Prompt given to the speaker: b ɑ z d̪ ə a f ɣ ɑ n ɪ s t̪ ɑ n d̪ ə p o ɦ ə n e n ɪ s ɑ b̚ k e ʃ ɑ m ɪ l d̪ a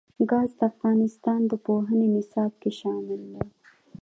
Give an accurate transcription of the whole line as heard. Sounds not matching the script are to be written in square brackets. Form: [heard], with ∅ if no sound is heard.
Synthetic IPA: [ɡ] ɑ z d̪ ə a f ɣ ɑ n ɪ s t̪ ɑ n d̪ ə p o ɦ ə n e n ɪ s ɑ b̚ k e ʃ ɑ m ɪ l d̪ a